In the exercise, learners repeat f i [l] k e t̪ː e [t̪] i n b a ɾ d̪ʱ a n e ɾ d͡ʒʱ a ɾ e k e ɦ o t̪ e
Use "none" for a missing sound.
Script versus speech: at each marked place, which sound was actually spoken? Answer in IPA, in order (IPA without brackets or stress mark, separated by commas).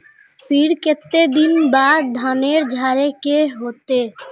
ɾ, d̪